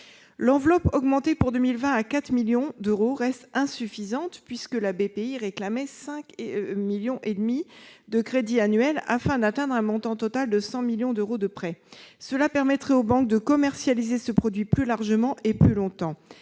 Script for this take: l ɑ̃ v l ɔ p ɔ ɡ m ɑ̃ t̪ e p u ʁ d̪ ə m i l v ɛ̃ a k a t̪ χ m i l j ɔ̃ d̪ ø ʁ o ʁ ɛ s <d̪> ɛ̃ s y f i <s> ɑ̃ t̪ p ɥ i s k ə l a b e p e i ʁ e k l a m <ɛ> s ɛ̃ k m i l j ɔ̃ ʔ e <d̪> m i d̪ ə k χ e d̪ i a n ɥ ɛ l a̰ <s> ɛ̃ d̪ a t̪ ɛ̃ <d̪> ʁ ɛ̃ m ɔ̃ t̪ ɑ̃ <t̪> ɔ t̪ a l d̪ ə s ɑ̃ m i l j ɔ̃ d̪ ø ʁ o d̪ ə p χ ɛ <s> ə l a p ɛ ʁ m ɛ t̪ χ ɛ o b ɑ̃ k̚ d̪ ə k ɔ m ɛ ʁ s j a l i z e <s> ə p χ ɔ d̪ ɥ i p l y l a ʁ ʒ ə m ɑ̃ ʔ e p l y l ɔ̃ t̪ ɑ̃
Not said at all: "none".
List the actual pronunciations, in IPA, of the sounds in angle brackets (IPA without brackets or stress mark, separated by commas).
t̪, z, ɛ, d̪, f, d̪, t̪, s, s